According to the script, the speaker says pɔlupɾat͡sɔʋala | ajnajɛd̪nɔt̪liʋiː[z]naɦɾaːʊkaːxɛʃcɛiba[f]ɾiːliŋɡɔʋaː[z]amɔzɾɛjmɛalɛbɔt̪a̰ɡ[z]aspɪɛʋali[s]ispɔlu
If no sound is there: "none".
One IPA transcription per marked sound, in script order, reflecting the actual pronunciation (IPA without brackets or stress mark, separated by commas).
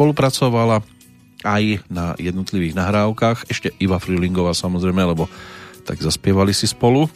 ɣ, f, s, z, s